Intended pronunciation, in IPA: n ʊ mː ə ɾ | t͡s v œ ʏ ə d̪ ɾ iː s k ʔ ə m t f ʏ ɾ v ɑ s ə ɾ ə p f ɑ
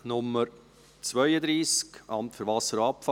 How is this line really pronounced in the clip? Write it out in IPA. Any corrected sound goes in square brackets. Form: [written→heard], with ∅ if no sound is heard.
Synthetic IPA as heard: n ʊ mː ə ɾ | t͡s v œ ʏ ə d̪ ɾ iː s k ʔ [ə→ɑ] m t f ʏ ɾ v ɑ s ə ɾ [ə→ɑ] p f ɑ